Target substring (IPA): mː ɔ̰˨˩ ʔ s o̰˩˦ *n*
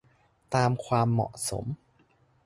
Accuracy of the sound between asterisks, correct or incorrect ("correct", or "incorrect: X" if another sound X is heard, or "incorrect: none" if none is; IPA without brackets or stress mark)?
incorrect: m